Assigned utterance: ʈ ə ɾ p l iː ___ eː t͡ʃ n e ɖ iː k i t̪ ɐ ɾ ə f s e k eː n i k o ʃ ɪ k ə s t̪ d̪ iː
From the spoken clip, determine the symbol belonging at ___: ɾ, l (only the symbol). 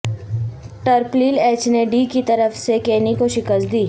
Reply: l